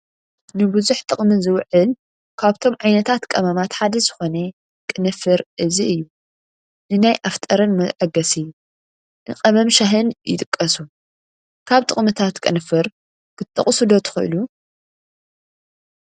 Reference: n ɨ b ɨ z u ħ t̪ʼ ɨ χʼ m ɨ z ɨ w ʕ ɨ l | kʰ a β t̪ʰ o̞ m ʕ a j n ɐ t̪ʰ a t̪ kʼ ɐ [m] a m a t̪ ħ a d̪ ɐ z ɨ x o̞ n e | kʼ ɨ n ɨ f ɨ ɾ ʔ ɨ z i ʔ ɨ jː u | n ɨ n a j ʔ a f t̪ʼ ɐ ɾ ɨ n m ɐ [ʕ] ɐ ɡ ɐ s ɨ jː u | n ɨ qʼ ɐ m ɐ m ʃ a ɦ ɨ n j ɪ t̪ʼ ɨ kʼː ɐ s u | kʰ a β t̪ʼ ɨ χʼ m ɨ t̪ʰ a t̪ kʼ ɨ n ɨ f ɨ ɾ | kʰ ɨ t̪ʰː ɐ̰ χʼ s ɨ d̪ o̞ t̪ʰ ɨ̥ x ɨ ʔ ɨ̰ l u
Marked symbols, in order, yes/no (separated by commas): yes, yes